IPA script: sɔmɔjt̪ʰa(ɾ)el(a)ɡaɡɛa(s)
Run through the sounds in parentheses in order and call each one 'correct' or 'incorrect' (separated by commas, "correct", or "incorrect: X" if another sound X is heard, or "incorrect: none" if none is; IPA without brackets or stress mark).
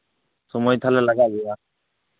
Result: incorrect: l, correct, incorrect: none